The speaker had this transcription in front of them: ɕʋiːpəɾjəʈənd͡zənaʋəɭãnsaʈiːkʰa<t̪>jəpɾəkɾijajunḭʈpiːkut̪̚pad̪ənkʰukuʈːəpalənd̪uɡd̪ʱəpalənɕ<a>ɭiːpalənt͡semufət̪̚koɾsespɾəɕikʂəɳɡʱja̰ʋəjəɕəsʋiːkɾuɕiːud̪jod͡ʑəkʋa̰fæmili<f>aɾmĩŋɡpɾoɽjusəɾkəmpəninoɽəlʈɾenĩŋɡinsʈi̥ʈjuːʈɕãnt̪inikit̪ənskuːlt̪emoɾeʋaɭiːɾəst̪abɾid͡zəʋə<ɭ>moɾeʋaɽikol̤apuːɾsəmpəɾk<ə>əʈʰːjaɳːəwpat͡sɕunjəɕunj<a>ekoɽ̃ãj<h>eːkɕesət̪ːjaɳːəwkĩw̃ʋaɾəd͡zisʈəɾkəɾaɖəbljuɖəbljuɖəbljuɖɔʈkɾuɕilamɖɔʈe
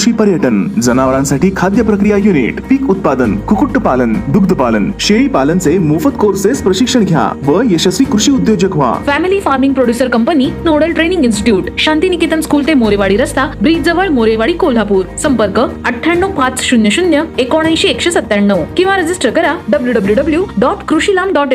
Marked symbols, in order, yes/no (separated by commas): no, no, yes, yes, yes, no, no